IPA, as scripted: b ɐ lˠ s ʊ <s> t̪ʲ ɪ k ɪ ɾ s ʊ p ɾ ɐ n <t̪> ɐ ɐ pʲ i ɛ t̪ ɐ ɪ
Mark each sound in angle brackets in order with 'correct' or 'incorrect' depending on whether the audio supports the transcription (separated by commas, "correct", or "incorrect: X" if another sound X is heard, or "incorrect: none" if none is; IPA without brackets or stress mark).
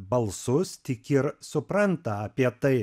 correct, correct